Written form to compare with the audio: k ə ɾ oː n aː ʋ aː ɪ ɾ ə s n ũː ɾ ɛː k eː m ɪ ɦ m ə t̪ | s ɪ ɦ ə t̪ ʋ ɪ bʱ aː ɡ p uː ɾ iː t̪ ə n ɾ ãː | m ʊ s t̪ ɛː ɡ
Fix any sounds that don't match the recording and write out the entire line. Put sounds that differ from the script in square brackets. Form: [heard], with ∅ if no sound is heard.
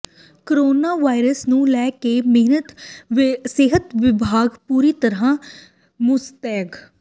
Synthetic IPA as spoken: k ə ɾ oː n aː ʋ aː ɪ ɾ ə s n ũː [l] ɛː k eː m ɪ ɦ [n] ə t̪ | s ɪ ɦ ə t̪ ʋ ɪ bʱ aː ɡ p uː ɾ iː t̪ ə [∅] ɾ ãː | m ʊ s t̪ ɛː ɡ